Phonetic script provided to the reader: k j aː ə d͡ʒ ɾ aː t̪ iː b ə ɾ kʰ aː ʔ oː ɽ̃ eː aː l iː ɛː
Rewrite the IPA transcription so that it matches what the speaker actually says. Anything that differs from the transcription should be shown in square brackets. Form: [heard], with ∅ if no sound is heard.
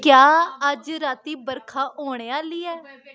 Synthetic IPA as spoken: k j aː ə d͡ʒ ɾ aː t̪ iː b ə ɾ kʰ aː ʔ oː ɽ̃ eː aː l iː ɛː